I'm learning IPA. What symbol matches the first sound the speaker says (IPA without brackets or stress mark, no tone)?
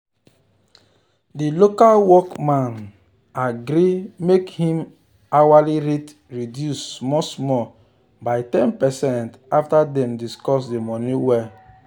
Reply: d